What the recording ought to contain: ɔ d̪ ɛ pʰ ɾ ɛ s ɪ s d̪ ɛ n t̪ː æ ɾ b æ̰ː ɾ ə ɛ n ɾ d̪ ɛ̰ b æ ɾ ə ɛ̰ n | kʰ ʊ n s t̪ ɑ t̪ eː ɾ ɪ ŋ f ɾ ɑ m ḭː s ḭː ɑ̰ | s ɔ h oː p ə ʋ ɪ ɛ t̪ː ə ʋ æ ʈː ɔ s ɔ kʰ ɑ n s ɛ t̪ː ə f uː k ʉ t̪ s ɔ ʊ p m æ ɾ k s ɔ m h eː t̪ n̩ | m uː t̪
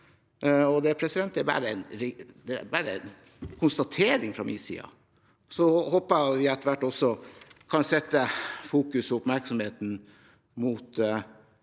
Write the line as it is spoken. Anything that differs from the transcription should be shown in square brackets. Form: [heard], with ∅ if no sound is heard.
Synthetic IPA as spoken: ɔ d̪ ɛ pʰ ɾ ɛ s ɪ [∅] d̪ ɛ n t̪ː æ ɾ b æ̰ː ɾ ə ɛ n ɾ d̪ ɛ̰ b æ ɾ ə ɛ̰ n | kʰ ʊ n s t̪ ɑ [t̪ʰ] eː ɾ ɪ ŋ f ɾ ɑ m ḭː s ḭː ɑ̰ | s ɔ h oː p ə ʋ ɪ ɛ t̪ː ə ʋ æ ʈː ɔ s ɔ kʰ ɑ n s ɛ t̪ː ə f uː k ʉ [∅] s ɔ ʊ p m æ ɾ k s ɔ m h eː t̪ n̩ | m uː t̪